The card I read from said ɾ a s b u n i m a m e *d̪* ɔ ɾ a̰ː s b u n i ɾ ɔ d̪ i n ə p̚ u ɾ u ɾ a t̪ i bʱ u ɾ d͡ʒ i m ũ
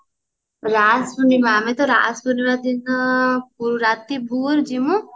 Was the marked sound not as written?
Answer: yes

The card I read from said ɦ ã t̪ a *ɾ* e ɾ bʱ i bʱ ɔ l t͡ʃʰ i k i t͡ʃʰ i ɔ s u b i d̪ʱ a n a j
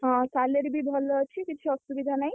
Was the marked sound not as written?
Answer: yes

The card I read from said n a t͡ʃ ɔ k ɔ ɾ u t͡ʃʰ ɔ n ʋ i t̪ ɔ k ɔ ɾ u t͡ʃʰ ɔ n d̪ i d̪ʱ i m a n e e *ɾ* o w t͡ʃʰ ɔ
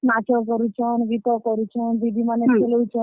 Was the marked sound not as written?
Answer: yes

